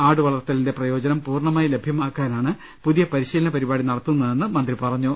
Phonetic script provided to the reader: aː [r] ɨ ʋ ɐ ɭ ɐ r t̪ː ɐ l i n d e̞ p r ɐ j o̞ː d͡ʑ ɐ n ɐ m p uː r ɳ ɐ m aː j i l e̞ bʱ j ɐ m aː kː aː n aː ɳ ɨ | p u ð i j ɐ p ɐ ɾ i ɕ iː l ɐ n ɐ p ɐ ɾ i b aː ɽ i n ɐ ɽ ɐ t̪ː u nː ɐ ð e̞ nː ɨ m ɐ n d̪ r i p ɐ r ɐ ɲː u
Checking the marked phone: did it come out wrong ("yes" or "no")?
yes